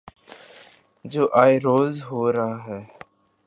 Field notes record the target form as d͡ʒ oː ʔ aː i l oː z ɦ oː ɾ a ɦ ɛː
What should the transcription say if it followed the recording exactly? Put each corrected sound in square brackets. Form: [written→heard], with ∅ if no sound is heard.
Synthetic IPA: d͡ʒ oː ʔ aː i [l→ɾ] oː z ɦ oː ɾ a ɦ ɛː